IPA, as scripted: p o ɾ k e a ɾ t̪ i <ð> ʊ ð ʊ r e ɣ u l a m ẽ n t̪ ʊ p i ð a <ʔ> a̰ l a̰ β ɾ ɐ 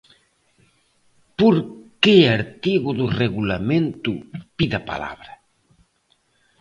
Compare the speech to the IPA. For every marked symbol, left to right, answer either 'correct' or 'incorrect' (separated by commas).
incorrect, incorrect